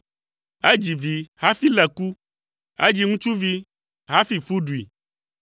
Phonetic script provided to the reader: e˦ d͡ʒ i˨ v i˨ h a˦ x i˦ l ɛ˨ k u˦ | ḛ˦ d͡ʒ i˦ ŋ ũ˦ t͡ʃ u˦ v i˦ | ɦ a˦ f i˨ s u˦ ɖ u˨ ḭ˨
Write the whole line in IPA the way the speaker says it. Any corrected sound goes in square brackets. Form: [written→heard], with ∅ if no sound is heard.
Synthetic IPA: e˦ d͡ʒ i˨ v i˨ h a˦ [x→f] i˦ l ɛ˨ k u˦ | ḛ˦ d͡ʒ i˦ ŋ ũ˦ t͡ʃ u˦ v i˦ | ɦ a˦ f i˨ [s→f] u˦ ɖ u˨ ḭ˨

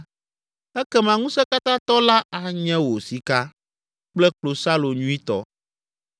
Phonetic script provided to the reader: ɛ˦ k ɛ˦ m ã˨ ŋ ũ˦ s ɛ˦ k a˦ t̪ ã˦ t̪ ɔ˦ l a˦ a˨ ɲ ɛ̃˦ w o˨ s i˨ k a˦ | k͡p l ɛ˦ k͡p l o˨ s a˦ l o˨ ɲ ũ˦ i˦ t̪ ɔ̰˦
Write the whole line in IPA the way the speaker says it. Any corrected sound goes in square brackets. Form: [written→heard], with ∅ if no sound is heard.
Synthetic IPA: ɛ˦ k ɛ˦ m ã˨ ŋ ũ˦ s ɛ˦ k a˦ t̪ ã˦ t̪ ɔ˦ l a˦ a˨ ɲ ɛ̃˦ w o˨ s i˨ k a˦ | k͡p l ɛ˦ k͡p l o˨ s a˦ l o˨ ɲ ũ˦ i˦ t̪ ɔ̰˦

